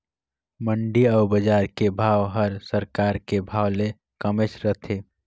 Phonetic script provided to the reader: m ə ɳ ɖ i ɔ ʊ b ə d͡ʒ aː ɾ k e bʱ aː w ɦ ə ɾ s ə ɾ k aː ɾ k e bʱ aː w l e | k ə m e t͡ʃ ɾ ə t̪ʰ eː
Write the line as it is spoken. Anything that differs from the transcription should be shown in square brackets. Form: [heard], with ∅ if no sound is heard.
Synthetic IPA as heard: m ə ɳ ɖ i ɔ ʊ b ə d͡ʒ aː ɾ k e bʱ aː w ɦ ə ɾ s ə ɾ k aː ɾ k e bʱ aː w l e | k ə m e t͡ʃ ɾ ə t̪ʰ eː